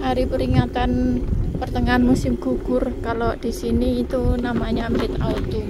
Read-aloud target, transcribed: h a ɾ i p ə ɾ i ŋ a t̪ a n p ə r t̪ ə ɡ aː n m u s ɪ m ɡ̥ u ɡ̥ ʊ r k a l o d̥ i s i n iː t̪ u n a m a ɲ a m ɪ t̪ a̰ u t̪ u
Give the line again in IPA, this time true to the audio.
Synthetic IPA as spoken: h a ɾ i p ə ɾ i ŋ a t̪ a n p ə r t̪ ə ŋ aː n m u s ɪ m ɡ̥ u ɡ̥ ʊ r k a l o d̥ i s i n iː t̪ u n a m a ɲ a m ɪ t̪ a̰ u t̪ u